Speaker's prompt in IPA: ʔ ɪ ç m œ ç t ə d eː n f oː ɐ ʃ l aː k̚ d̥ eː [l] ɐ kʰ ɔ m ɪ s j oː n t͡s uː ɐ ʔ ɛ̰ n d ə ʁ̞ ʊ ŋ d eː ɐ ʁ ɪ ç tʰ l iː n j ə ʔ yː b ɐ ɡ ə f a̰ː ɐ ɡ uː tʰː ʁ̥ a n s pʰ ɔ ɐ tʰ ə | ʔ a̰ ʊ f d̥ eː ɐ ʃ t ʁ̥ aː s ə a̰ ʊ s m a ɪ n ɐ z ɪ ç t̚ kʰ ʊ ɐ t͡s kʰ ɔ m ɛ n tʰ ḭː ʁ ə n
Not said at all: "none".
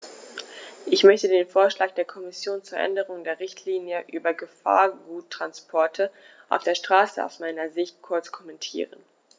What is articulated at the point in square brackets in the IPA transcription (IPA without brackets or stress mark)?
none